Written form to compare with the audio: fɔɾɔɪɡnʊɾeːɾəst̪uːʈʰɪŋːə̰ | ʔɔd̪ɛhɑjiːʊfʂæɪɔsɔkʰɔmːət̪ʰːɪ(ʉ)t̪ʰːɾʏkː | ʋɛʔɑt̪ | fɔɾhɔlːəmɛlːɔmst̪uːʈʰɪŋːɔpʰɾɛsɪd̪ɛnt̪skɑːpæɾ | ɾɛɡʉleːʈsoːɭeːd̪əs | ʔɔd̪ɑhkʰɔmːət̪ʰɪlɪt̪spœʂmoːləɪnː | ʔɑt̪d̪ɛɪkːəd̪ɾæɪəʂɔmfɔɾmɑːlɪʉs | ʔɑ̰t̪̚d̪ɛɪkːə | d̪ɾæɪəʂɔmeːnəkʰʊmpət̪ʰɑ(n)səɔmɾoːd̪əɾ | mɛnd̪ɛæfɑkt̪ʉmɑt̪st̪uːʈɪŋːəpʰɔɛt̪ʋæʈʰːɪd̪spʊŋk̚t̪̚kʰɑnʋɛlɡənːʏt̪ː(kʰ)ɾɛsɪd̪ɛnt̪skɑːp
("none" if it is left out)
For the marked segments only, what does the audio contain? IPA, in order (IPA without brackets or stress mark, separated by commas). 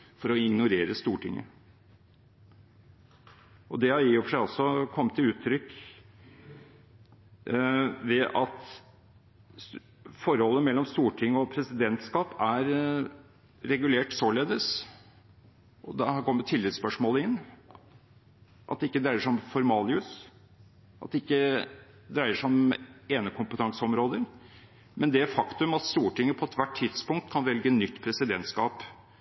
ʉː, ŋ, pʰ